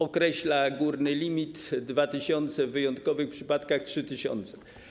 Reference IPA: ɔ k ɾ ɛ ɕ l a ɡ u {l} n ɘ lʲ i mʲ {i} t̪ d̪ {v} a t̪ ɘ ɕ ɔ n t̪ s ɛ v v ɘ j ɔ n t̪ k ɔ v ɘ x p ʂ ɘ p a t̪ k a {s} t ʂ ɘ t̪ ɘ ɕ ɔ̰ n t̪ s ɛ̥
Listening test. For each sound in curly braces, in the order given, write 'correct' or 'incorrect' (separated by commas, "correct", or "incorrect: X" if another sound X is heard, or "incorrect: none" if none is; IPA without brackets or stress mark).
incorrect: ɾ, correct, correct, incorrect: x